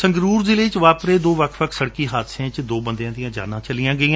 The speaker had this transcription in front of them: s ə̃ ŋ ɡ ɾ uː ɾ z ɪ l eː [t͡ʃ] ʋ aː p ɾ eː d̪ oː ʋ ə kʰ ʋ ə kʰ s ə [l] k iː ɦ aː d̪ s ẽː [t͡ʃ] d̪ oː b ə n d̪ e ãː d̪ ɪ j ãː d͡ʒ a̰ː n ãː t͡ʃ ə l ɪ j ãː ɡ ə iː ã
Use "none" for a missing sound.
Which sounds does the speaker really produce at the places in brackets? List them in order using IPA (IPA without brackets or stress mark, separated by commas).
t͡ʃ, ɽ, t͡ʃ